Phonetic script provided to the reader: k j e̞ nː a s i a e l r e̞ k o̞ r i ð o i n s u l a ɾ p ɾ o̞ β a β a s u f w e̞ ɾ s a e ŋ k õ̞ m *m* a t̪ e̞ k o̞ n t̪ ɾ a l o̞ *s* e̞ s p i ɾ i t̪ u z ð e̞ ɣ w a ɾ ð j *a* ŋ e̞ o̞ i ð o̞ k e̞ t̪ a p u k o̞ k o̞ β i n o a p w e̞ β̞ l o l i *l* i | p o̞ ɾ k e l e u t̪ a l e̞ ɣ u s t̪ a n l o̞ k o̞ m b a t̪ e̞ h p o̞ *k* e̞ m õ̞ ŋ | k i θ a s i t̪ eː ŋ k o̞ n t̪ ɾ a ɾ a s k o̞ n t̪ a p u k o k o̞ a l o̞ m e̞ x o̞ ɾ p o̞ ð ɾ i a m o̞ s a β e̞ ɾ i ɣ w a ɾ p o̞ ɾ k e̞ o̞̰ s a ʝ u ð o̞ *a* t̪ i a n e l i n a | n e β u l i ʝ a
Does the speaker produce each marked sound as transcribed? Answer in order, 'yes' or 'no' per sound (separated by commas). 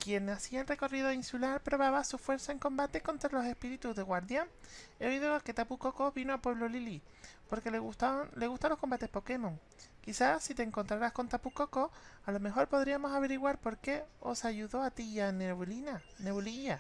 no, yes, yes, yes, yes, yes